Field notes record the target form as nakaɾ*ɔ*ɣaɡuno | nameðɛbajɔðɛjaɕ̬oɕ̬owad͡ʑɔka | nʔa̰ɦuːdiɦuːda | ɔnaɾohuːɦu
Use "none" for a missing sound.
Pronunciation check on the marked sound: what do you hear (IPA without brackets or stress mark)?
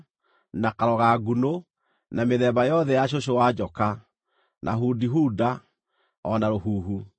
ɔ